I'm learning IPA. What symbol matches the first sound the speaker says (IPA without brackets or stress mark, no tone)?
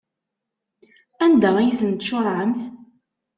æ